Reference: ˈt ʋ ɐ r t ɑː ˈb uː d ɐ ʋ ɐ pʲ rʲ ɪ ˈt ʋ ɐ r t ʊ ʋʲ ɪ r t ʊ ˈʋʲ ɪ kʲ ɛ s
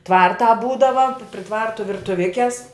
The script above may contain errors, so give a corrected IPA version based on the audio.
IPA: ˈt ʋ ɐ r t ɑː ˈb uː d ɐ ʋ ɐ pʲ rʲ ɪ ˈt ʋ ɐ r t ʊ ʋʲ ɪ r t ʊ ˈʋʲ ɪ kʲ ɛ s

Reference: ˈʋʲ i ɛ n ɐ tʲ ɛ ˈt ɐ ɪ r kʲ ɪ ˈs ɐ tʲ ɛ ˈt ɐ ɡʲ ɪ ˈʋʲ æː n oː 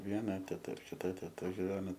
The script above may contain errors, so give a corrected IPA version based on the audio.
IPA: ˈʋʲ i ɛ n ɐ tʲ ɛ ˈt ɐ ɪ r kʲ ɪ ˈt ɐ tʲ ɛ ˈt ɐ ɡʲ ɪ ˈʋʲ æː n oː

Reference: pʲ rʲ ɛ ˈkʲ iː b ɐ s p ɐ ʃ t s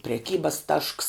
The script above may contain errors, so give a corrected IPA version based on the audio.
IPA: pʲ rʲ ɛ ˈkʲ iː b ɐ s t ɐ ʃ k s

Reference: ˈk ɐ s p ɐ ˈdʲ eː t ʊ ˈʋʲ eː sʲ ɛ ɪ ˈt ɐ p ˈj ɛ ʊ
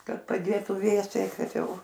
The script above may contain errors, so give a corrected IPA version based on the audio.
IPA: ˈk ɐ t p ɐ ˈdʲ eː t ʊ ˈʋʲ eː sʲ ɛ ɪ ˈk ɐ t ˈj ɛ ʊ

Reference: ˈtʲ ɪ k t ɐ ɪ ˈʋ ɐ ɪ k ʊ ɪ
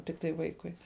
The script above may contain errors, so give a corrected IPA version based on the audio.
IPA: ˈtʲ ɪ k t ɐ ɪ ˈʋ ɐ ɪ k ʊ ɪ

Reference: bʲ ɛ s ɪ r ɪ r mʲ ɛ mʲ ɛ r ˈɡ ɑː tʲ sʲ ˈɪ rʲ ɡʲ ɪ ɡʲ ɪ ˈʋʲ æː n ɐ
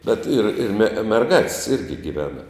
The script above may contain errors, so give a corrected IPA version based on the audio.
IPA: bʲ ɛ t ɪ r ɪ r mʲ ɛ mʲ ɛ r ˈɡ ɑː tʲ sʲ ˈɪ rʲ ɡʲ ɪ ɡʲ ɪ ˈʋʲ æː n ɐ

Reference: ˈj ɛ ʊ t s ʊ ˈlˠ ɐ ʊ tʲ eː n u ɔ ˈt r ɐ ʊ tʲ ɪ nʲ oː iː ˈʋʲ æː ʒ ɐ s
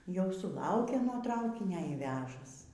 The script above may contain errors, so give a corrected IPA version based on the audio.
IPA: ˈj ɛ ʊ s ʊ ˈlˠ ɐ ʊ kʲ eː n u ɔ ˈt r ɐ ʊ kʲ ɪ nʲ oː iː ˈʋʲ æː ʒ ɐ s

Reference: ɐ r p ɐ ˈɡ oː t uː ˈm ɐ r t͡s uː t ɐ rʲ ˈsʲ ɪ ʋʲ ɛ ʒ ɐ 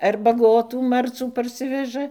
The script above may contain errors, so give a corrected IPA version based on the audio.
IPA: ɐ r b ɐ ˈɡ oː t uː ˈm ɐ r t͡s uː p ɐ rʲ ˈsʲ ɪ ʋʲ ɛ ʒ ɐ

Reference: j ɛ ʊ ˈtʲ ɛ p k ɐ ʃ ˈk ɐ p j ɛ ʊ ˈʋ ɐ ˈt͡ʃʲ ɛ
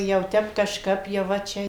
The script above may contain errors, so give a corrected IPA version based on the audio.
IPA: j ɛ ʊ ˈtʲ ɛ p k ɐ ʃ ˈk ɐ p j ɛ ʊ ˈʋ ɐ ˈt͡ʃʲ ɛ

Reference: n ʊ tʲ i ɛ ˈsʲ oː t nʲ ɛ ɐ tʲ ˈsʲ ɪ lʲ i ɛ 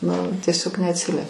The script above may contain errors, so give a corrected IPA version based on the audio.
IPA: n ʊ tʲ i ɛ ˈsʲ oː k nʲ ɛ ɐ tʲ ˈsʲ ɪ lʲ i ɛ

